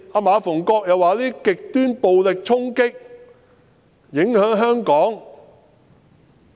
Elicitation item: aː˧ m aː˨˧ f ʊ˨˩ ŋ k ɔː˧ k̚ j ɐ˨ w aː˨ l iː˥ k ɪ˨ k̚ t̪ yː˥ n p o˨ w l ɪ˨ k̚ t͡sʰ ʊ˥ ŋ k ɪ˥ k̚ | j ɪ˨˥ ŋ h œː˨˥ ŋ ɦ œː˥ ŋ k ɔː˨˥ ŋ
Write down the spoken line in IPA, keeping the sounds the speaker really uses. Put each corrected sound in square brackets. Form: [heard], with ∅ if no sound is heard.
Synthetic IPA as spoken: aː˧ m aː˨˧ f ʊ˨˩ ŋ k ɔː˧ k̚ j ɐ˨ w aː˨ l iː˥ k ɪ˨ k̚ t̪ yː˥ n p o˨ w l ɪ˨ k̚ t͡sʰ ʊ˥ ŋ k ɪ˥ k̚ | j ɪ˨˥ ŋ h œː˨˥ ŋ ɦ œː˥ ŋ k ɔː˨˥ ŋ